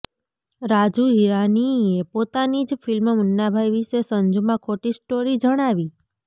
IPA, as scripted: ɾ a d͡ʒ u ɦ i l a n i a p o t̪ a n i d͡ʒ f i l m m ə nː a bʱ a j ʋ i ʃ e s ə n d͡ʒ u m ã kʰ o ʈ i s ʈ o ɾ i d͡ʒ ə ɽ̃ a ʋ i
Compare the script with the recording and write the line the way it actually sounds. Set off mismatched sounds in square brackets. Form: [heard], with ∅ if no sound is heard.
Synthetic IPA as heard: ɾ a d͡ʒ u ɦ i [ɾ] a n i [e] p o t̪ a n i d͡ʒ f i l m m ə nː a bʱ a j ʋ i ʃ e s ə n d͡ʒ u m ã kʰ o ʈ i s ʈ o ɾ i d͡ʒ ə ɽ̃ a ʋ i